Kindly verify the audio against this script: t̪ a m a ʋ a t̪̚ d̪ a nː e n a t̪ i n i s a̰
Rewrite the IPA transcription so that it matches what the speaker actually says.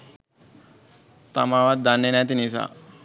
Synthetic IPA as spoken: t̪ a m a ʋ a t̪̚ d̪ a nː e n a t̪ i n i s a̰